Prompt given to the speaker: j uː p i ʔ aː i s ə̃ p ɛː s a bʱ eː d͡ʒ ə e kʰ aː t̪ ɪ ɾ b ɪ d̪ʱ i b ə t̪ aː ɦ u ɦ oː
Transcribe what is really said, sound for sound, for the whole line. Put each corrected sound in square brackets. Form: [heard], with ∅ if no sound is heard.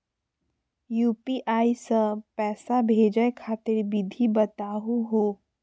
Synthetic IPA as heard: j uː p i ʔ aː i s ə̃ p ɛː s a bʱ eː d͡ʒ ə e kʰ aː t̪ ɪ ɾ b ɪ d̪ʱ i b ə t̪ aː ɦ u ɦ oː